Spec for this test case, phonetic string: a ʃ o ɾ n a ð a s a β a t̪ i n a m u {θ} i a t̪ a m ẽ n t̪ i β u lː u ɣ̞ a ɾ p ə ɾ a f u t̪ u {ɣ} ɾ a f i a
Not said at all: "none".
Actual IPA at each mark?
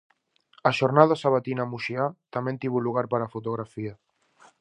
ʃ, ɣ

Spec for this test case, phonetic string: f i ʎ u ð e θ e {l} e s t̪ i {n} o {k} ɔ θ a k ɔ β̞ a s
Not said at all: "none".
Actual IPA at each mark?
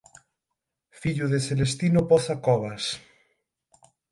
l, n, p

